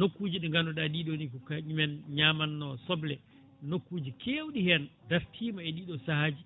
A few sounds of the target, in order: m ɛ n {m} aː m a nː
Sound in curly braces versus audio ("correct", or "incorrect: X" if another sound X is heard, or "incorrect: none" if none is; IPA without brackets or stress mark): incorrect: ɲ